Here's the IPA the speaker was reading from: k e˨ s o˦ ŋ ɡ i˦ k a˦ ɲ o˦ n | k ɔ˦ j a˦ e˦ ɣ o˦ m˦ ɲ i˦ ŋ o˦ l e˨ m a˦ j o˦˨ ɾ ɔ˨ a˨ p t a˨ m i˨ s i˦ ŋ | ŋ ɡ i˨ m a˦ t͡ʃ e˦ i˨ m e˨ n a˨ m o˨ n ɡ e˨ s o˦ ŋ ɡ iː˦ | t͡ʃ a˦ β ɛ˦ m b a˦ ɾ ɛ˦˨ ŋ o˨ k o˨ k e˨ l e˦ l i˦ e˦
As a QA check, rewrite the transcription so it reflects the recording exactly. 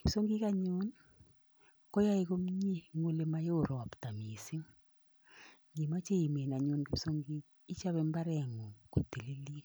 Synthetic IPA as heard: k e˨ s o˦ ŋ ɡ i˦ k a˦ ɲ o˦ n | k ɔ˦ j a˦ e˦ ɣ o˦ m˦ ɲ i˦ ŋ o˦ l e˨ m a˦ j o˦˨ ɾ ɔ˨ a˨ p t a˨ m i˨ s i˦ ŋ | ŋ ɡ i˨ m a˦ t͡ʃ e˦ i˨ m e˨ n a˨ ɲ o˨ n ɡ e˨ s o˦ ŋ ɡ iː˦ | t͡ʃ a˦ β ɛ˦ m b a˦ ɾ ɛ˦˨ ŋ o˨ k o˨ t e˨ l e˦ l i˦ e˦